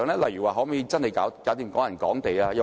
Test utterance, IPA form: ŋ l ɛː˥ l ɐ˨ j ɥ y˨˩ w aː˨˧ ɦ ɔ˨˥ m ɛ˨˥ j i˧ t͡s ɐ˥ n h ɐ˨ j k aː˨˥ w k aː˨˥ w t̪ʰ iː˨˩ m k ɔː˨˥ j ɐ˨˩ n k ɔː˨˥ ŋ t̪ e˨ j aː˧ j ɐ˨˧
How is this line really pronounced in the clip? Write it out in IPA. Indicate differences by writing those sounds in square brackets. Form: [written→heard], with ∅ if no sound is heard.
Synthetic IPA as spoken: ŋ l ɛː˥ l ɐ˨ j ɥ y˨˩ w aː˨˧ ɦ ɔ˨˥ m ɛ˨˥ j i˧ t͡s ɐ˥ n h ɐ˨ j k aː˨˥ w k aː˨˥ w [t̪ʰ→t̪] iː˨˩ m k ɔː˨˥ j ɐ˨˩ n k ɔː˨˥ ŋ t̪ e˨ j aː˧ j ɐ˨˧